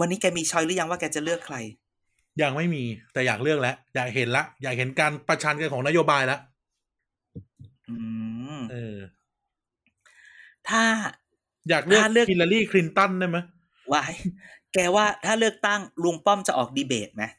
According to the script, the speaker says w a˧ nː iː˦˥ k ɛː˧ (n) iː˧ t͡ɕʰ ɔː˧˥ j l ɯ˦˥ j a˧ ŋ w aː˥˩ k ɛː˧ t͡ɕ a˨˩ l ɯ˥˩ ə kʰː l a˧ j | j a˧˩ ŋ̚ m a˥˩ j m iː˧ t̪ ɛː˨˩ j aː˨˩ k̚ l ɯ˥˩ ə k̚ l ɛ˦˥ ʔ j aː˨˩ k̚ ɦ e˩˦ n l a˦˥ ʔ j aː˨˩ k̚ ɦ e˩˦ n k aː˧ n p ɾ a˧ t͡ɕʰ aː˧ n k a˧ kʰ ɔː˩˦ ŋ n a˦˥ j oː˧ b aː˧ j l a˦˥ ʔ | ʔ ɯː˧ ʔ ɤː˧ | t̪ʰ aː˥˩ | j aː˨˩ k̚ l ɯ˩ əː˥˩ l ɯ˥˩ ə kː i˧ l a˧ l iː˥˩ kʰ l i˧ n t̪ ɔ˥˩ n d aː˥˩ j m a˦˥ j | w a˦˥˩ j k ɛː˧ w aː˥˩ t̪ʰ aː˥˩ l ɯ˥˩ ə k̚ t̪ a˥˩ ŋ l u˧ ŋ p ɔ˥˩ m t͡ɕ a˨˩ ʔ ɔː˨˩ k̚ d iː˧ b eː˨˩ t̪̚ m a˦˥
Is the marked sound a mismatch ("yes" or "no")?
yes